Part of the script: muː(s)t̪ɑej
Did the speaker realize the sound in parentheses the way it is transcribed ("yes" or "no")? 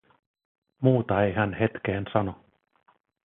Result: no